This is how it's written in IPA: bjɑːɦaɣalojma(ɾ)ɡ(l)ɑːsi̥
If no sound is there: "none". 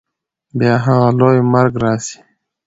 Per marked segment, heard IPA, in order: ɾ, ɾ

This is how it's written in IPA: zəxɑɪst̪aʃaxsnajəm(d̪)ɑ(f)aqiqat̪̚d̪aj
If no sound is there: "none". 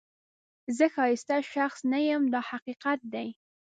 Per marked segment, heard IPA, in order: d̪, h

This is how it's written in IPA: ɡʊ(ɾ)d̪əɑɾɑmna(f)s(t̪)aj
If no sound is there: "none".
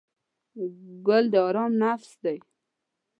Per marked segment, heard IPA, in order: l, f, d̪

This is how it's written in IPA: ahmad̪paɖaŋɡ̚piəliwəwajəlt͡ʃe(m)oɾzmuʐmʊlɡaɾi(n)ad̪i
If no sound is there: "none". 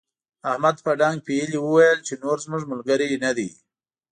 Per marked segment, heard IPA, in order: n, n

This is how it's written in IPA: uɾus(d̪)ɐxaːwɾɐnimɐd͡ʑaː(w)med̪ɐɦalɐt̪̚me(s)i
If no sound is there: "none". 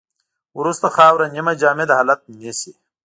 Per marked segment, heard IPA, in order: t̪, none, s

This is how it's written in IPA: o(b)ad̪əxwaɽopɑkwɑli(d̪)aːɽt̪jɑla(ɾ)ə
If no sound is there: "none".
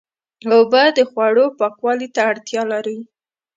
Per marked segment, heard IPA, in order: b, t̪, ɾ

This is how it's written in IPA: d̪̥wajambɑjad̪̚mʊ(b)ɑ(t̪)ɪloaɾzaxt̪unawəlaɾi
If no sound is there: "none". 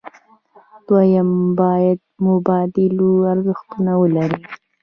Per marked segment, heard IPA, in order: b, d̪

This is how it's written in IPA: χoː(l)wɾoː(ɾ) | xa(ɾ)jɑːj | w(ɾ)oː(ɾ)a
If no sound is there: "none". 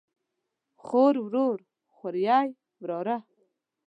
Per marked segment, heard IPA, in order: ɾ, ɾ, ɾ, ɾ, ɾ

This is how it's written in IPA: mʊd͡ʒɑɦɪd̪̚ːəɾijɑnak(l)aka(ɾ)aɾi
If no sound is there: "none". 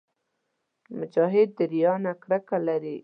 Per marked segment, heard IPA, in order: ɽ, l

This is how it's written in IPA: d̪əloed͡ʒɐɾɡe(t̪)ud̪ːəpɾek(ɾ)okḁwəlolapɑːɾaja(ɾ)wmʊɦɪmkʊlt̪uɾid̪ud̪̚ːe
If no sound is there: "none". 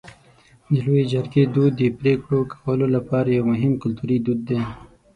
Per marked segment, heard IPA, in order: d̪, ɽ, none

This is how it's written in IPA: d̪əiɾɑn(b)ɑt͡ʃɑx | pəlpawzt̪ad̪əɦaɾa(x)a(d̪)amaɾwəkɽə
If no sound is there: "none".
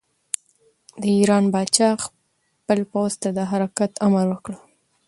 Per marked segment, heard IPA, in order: b, k, t̪

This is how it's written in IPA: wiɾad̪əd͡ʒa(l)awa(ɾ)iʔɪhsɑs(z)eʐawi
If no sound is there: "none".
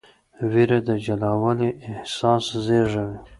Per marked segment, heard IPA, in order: l, l, z

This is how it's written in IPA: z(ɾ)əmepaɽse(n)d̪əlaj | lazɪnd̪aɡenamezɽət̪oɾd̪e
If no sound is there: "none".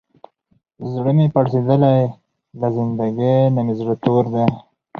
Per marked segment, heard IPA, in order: ɽ, none

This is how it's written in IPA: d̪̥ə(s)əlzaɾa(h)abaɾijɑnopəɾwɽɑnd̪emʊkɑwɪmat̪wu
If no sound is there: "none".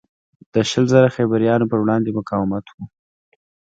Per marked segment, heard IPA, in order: ʃ, x

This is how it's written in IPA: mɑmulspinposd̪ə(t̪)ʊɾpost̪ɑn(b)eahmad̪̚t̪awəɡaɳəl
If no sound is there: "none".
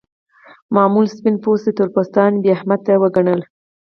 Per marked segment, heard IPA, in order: t̪, b

